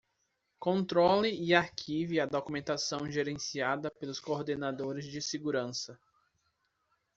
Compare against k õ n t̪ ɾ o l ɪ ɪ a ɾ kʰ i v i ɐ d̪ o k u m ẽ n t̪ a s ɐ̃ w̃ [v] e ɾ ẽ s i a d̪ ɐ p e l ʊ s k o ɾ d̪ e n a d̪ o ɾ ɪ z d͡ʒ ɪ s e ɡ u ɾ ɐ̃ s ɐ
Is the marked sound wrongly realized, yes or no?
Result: yes